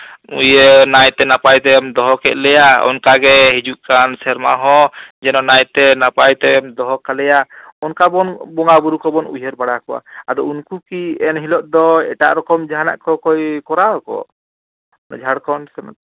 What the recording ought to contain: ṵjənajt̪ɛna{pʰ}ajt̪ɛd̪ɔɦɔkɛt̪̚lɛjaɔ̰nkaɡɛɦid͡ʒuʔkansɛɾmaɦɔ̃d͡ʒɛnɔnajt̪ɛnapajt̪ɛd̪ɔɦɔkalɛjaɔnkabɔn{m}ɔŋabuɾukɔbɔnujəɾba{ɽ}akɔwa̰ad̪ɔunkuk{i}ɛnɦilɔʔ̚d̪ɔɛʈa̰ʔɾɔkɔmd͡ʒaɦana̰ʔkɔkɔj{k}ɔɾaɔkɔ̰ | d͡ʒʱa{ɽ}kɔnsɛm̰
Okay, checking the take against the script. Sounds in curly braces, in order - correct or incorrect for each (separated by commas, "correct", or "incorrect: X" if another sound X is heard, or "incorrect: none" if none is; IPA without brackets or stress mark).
incorrect: p, incorrect: b, correct, correct, correct, correct